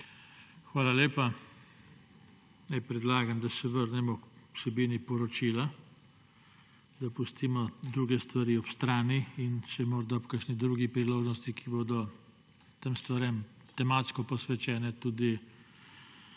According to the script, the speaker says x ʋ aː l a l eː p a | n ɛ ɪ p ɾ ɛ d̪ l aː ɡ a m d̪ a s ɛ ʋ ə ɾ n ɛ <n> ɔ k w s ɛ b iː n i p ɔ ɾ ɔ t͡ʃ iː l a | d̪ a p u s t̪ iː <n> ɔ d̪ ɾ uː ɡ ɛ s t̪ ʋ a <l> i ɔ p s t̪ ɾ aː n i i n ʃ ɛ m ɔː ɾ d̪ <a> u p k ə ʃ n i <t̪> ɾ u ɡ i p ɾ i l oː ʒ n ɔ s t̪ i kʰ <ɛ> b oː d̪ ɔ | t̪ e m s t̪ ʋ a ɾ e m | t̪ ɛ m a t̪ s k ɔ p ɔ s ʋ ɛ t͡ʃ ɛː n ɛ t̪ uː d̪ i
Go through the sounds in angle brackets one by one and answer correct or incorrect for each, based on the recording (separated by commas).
incorrect, incorrect, incorrect, correct, incorrect, incorrect